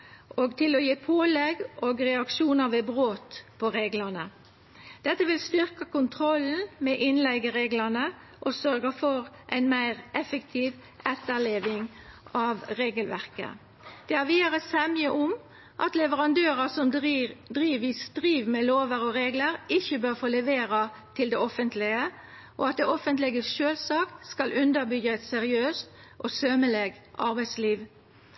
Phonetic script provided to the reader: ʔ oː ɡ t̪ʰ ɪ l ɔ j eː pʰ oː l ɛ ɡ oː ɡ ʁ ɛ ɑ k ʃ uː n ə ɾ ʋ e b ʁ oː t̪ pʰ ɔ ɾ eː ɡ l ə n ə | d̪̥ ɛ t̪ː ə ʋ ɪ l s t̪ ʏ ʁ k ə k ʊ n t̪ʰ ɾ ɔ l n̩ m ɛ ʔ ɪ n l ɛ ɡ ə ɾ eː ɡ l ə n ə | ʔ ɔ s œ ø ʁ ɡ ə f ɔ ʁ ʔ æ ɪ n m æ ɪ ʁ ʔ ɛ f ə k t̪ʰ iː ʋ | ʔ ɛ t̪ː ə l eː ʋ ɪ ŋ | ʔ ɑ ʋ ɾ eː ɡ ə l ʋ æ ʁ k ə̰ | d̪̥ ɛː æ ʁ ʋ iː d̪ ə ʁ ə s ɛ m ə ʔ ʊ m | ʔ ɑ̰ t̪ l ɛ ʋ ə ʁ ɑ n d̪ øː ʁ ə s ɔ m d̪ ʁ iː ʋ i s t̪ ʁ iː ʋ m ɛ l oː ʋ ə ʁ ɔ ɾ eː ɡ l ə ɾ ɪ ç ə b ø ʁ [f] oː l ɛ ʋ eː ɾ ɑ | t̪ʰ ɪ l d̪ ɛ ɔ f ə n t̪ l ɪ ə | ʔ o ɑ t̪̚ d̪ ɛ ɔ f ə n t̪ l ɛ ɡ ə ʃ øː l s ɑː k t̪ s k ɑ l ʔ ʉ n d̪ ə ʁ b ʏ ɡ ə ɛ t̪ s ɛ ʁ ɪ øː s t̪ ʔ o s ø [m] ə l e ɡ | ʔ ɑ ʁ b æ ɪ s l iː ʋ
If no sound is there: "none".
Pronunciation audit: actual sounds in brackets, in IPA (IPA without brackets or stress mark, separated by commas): f, m